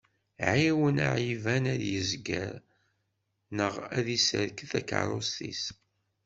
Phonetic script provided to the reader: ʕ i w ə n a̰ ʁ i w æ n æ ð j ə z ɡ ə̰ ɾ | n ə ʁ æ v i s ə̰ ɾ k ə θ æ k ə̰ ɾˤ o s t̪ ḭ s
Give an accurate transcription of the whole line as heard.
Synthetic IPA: ʕ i w ə n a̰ ʕ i v æ n æ ð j ə z ɡ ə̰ ɾ | n ə ʁ æ ð i s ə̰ ɾ k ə θ æ k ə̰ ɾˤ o s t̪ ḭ s

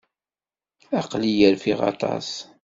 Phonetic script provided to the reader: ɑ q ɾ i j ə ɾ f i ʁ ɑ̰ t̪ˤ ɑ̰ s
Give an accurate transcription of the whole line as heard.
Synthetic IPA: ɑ q l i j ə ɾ f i ʁ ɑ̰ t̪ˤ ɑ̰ s

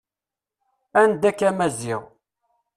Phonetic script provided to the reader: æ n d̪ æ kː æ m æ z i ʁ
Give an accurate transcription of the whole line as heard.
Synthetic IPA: æ n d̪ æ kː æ m æ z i ʁ

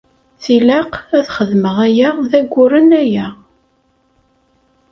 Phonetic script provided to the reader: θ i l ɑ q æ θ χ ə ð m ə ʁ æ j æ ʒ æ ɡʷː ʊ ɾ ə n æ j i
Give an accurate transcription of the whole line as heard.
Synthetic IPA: θ i l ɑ q æ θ χ ə ð m ə ʁ æ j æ ð æ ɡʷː ʊ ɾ ə n æ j æ

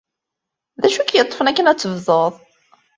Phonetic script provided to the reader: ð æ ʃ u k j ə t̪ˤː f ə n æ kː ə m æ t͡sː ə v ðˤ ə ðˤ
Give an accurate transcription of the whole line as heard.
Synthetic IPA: ð æ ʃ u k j ə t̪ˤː f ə n æ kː ə n æ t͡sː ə v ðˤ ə ðˤ

